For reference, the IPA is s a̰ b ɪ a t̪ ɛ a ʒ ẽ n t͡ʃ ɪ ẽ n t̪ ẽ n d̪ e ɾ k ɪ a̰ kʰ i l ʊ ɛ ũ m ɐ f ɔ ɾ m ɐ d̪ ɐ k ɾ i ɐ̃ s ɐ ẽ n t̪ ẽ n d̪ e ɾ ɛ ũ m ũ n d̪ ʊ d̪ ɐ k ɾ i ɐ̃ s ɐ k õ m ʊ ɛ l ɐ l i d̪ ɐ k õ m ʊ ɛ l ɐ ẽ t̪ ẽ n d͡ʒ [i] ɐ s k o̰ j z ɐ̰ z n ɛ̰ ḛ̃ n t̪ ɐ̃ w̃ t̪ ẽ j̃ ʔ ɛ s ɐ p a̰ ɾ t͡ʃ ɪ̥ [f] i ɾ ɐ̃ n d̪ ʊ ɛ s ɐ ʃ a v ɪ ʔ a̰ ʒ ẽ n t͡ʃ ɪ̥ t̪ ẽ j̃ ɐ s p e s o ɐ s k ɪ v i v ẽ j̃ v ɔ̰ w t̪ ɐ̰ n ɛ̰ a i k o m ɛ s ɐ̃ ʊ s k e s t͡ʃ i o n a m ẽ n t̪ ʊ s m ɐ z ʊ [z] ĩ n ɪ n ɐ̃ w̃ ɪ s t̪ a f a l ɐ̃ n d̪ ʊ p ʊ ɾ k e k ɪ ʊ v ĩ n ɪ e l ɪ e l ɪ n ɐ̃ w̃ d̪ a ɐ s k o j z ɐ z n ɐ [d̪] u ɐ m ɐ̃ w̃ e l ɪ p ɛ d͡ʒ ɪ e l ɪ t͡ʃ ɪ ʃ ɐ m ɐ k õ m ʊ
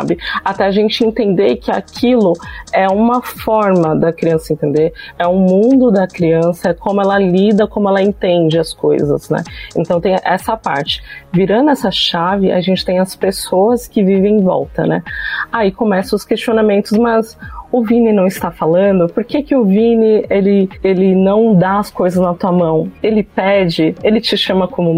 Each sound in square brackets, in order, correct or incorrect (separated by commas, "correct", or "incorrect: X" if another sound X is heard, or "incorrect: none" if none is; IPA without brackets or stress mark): incorrect: ɪ, incorrect: v, incorrect: v, incorrect: t̪